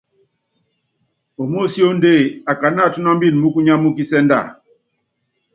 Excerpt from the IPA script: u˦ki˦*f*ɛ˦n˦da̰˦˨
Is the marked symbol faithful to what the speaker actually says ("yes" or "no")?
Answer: no